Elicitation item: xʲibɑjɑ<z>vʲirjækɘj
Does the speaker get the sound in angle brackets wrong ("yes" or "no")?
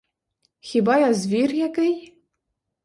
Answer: no